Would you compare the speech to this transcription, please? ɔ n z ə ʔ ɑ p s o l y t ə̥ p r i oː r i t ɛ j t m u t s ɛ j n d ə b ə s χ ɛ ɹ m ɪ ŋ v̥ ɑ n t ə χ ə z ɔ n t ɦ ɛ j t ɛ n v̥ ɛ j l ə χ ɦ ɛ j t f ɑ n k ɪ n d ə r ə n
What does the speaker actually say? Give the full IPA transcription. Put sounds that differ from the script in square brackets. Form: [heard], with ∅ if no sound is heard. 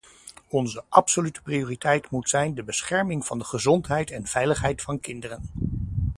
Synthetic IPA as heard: ɔ n z ə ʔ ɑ p s o l y t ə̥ p r i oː r i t ɛ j t m u t s ɛ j n d ə b ə s χ ɛ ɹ m ɪ ŋ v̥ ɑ n [d] ə χ ə z ɔ n t ɦ ɛ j t ɛ n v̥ ɛ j l ə χ ɦ ɛ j t f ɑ n k ɪ n d ə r ə n